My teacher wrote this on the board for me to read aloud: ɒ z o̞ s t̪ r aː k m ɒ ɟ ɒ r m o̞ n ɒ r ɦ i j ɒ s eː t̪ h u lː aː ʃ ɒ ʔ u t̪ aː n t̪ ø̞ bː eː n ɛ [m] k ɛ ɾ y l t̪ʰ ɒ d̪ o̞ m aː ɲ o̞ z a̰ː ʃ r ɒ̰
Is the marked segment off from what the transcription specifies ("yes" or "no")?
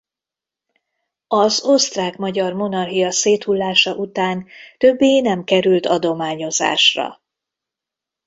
no